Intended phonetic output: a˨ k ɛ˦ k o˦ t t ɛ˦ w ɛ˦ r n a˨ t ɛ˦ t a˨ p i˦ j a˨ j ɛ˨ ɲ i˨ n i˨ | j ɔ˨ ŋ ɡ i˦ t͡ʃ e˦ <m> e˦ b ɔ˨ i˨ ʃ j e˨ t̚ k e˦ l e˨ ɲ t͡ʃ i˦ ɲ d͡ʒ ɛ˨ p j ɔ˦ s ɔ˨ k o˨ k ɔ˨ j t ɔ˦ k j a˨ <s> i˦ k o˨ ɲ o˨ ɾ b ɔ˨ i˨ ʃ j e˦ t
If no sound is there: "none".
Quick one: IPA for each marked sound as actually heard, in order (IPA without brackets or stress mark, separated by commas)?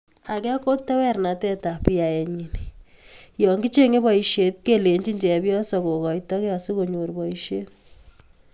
ŋ, s